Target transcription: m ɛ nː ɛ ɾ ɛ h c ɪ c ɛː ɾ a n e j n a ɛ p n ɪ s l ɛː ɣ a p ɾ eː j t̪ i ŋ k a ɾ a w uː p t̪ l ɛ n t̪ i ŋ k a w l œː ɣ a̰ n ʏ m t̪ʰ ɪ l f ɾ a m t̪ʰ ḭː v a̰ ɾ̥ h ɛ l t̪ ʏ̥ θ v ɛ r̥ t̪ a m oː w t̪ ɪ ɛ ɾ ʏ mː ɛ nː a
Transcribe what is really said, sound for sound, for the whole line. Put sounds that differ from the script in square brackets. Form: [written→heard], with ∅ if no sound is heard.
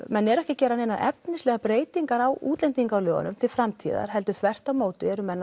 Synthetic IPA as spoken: m ɛ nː ɛ ɾ ɛ h c ɪ c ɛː ɾ a n e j n a ɛ p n ɪ s l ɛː ɣ a p ɾ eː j t̪ i ŋ k a ɾ a w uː [p→∅] t̪ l ɛ n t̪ i ŋ k a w l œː ɣ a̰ n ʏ m t̪ʰ ɪ l f ɾ a m t̪ʰ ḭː [v→ð] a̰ ɾ̥ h ɛ l t̪ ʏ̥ θ v ɛ r̥ t̪ a m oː w t̪ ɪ ɛ ɾ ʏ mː ɛ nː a